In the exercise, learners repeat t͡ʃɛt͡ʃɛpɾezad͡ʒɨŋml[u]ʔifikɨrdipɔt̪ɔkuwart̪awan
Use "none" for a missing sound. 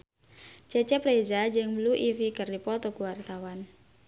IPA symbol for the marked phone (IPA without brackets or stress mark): u